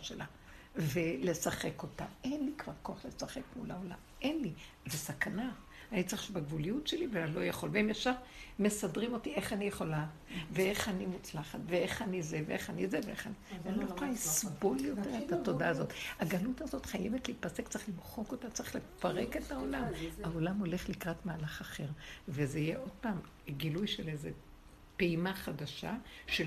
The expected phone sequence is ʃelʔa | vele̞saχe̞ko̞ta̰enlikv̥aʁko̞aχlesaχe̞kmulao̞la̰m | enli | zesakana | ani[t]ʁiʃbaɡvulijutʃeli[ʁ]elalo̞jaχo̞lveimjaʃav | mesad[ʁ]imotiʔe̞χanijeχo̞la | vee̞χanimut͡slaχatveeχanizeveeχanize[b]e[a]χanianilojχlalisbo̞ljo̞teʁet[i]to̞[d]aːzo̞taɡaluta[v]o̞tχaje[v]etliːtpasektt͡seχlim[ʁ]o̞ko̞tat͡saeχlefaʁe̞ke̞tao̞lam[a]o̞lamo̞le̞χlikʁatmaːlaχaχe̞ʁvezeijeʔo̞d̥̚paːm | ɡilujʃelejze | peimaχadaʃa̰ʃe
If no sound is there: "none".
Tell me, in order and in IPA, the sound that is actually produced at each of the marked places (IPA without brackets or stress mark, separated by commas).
t͡s, v, ʁ, v, e, a, d, z, v, χ, a